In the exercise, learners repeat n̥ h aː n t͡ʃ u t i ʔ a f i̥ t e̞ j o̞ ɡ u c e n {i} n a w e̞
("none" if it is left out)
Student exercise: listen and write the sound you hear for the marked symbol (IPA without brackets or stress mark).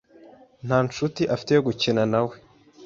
a